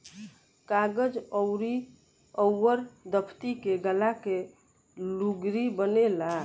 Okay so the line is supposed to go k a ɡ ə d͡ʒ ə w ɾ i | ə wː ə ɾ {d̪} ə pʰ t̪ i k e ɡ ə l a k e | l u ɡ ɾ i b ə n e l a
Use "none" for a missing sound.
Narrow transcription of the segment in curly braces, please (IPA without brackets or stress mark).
d̪